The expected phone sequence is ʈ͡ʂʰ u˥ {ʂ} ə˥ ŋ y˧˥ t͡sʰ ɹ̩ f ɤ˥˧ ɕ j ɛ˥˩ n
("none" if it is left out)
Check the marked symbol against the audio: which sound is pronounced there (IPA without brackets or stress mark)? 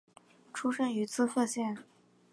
ʂ